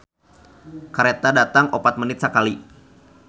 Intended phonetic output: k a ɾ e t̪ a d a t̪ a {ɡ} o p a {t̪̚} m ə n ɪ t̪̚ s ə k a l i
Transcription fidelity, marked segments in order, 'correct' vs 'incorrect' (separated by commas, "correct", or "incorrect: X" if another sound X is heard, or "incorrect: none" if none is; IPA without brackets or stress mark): incorrect: ŋ, correct